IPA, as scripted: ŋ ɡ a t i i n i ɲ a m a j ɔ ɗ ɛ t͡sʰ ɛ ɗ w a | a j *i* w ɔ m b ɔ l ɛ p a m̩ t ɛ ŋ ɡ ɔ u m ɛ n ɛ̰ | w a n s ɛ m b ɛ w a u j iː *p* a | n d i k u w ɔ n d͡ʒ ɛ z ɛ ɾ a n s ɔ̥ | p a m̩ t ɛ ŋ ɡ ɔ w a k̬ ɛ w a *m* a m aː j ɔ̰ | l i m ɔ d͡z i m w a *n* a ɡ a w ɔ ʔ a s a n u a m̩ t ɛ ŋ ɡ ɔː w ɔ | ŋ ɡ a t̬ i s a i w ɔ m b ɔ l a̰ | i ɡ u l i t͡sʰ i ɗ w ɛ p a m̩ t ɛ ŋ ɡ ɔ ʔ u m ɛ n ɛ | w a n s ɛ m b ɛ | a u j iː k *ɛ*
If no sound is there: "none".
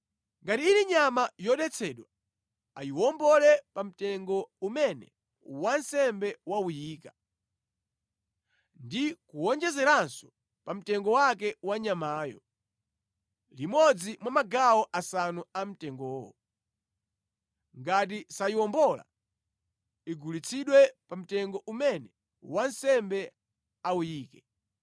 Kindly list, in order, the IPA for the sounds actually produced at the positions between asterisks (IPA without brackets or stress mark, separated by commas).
i, k, ɲ, m, ɛ